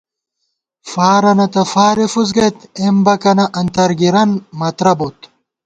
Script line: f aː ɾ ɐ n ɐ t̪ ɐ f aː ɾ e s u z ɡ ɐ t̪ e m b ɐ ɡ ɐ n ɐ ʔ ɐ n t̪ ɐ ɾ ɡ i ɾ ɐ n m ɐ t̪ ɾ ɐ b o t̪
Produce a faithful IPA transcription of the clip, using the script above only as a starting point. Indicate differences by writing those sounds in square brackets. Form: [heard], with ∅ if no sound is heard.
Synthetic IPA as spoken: f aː ɾ ɐ n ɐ t̪ ɐ f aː ɾ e [f] u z ɡ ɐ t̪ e m b ɐ [k] ɐ n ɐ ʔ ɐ n t̪ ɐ ɾ ɡ i ɾ ɐ n m ɐ t̪ ɾ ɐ b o t̪